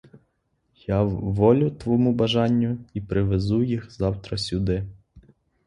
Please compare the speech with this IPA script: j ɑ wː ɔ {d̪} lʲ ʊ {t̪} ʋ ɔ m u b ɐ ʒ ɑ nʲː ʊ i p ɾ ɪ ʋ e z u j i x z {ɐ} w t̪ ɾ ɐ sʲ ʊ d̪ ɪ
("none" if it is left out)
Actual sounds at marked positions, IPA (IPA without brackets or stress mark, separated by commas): none, t̪, ɑ